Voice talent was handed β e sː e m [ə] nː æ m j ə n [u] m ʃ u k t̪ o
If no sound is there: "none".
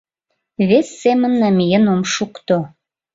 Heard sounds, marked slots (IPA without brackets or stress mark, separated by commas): ə, o